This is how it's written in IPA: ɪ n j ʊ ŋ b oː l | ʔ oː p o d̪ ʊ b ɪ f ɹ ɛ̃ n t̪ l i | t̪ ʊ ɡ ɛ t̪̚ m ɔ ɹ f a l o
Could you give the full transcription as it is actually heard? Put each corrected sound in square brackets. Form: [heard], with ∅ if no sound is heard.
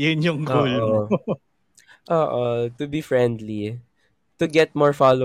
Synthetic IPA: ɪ n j ʊ ŋ [ɡ] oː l | ʔ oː [ʔ] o [t̪] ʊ b [i] f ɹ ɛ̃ n [d̪] l i | t̪ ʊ ɡ ɛ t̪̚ m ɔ ɹ f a l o